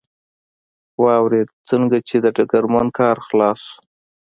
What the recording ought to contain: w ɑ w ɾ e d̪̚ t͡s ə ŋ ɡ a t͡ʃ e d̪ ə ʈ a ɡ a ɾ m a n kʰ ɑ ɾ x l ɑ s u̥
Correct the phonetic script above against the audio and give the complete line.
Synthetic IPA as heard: w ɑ w ɾ e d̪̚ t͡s ə ŋ ɡ a t͡ʃ e d̪ ə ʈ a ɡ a ɾ m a n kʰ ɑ ɾ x l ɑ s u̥